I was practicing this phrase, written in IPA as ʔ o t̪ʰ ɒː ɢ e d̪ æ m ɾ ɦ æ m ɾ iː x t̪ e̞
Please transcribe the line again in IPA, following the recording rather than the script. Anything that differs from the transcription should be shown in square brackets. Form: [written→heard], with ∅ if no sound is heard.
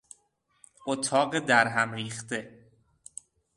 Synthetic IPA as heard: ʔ o t̪ʰ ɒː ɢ e d̪ æ [m→∅] ɾ ɦ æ m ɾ iː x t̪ e̞